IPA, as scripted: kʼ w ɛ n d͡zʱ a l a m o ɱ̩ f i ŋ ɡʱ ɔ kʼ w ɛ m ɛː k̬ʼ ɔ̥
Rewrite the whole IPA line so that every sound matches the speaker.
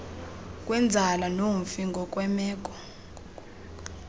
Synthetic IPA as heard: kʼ w ɛ n d͡zʱ a l a n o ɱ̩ f i ŋ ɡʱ ɔ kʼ w ɛ m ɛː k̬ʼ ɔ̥